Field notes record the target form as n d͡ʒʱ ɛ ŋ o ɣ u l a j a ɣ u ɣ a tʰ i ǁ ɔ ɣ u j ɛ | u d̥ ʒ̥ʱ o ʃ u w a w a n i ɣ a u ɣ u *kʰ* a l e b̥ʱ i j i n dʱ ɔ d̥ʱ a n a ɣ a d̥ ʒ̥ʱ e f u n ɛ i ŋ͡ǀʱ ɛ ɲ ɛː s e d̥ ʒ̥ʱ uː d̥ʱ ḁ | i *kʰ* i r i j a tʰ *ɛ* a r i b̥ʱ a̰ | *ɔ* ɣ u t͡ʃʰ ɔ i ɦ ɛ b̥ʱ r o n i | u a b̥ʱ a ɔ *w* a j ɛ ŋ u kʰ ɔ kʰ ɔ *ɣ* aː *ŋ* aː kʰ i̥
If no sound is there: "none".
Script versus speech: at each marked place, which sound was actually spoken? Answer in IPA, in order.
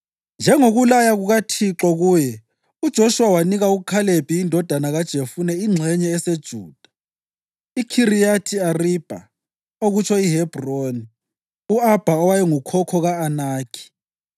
kʰ, kʰ, i, o, w, ɣ, n

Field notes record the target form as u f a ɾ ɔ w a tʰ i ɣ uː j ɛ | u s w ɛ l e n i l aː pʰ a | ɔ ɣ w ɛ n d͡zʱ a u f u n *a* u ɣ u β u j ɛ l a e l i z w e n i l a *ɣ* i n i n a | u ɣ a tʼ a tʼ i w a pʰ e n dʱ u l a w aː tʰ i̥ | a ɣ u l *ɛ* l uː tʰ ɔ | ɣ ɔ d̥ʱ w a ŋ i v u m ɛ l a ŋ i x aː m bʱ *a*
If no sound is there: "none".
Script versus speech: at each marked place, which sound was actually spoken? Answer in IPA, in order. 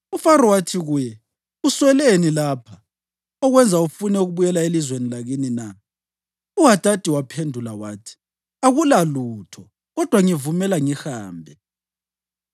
ɛ, ɣ, a, ɛ

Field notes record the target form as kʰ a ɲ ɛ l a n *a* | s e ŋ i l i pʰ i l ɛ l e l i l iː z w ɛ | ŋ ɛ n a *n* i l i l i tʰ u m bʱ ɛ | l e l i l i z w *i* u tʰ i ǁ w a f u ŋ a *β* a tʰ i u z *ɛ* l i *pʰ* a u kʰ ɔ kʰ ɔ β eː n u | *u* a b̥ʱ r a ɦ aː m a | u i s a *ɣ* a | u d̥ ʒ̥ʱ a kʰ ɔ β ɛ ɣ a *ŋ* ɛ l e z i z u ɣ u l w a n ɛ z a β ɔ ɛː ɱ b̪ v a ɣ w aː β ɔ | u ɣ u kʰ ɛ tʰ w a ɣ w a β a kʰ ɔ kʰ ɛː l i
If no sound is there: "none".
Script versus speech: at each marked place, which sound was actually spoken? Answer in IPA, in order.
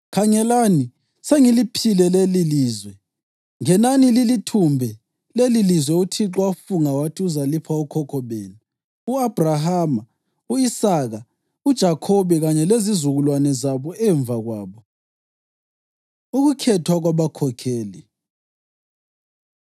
i, n, ɛ, w, a, pʰ, u, ɣ, ɲ

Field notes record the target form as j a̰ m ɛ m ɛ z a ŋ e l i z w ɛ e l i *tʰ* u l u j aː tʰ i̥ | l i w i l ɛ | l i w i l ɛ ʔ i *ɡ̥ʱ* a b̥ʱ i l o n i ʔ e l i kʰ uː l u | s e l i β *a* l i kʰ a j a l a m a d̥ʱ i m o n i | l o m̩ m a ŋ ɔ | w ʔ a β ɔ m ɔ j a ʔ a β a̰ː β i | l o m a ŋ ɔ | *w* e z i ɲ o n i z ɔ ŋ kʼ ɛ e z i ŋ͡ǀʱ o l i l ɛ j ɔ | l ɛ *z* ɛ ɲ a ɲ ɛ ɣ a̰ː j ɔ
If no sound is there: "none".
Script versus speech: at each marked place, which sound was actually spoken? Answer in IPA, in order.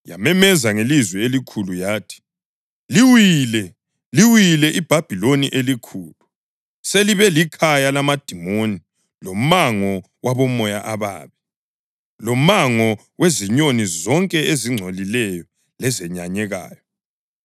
kʰ, b̥ʱ, ɛ, w, z

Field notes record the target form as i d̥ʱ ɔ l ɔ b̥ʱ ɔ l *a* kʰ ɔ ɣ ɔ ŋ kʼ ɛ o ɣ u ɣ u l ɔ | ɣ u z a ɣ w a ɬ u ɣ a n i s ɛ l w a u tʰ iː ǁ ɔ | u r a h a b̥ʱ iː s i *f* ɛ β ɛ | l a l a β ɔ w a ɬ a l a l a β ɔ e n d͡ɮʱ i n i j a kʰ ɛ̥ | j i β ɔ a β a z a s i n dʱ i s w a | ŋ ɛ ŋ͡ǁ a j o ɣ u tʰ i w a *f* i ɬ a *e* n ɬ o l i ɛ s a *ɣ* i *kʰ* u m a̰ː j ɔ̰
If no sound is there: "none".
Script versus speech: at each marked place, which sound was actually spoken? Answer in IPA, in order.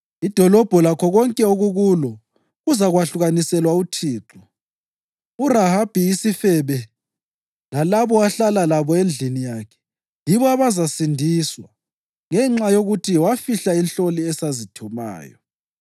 a, f, f, i, z, tʰ

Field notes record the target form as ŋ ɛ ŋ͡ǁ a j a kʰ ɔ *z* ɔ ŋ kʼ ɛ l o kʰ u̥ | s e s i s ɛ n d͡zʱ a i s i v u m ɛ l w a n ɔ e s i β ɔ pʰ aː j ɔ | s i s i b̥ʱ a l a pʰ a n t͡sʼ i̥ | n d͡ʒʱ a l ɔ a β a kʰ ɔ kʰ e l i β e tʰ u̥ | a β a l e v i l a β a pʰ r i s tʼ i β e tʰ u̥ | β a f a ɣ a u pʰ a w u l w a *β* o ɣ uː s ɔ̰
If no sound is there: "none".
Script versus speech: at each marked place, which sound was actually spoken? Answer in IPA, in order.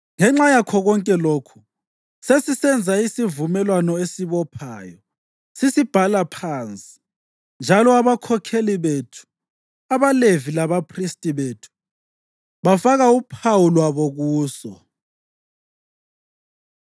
ɣ, β

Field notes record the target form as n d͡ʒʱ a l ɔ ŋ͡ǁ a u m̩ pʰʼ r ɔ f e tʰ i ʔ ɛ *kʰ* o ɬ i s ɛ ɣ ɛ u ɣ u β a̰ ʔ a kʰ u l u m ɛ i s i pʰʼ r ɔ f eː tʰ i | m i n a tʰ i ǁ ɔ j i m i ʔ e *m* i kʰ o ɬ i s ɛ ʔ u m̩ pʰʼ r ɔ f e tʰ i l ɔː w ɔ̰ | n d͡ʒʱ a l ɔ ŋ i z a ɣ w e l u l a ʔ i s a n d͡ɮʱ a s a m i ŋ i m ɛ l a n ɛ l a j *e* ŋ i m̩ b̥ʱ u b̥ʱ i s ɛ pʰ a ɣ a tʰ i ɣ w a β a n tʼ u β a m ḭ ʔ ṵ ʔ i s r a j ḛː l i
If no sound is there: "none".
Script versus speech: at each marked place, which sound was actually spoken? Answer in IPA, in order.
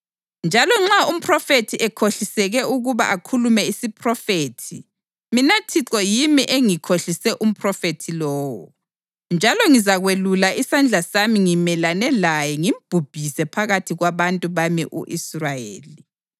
kʰ, ŋ, ɛ

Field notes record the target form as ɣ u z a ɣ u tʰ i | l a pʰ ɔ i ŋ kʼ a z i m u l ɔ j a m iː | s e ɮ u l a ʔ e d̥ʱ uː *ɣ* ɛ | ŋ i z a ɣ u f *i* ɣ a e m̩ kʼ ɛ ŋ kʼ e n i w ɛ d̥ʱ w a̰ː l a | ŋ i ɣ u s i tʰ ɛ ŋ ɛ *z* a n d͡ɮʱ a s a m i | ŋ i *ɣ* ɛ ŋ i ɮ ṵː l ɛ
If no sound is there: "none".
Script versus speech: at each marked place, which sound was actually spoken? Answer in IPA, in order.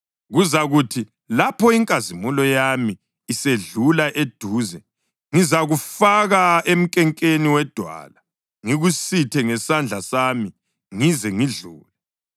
z, a, s, z

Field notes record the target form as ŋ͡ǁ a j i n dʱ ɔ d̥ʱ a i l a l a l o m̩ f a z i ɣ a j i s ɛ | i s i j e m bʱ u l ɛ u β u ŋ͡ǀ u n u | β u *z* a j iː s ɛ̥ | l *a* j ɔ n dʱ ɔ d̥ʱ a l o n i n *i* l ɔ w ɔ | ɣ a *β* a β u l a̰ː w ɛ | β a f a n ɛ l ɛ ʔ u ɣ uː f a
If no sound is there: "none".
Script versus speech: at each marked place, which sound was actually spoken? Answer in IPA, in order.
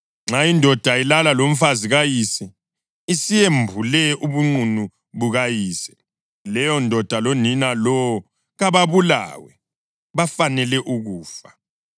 ɣ, ɛ, a, β

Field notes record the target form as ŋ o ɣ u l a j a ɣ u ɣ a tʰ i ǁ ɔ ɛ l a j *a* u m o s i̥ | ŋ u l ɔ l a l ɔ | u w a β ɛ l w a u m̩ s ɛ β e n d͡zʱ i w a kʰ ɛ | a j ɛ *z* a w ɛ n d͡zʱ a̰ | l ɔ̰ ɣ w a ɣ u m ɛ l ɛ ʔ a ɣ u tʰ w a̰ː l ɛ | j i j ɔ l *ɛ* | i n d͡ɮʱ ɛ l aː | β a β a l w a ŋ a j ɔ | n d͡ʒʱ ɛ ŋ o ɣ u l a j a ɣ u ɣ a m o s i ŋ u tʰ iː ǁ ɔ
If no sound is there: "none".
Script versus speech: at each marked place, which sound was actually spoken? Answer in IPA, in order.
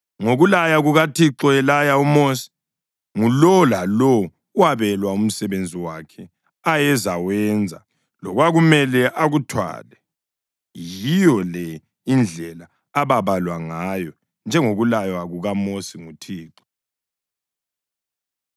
a, z, ɛ

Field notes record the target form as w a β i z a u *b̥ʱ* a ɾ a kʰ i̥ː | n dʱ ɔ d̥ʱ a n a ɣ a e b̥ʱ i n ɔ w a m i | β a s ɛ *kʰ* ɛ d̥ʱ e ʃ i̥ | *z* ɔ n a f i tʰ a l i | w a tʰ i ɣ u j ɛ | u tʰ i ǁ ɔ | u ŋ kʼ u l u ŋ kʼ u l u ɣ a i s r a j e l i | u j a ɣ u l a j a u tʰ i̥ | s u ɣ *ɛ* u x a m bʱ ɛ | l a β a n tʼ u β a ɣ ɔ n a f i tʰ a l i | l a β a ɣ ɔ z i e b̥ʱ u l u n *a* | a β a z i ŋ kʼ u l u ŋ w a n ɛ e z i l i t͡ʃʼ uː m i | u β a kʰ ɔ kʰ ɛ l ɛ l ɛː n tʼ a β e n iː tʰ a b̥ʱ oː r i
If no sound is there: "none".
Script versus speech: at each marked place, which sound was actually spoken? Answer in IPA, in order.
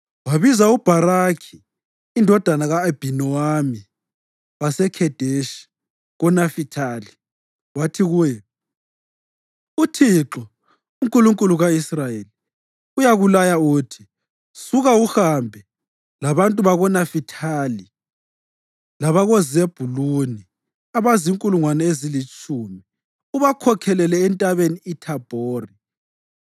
b̥ʱ, kʰ, ɣ, a, i

